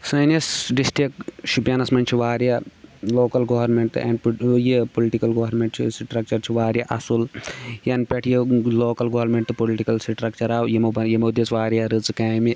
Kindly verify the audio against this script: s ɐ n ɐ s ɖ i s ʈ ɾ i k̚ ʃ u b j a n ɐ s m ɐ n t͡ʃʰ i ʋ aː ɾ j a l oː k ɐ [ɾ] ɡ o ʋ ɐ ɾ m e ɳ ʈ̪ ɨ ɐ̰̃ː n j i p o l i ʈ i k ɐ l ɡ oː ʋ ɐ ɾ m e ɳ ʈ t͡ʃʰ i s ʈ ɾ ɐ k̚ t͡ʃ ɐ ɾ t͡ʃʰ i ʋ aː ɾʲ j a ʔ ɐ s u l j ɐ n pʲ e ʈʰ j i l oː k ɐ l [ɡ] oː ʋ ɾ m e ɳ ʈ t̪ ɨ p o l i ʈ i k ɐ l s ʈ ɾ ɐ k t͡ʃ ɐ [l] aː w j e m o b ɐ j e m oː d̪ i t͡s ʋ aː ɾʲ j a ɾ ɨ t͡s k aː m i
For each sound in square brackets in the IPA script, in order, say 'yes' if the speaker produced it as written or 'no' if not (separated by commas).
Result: no, yes, no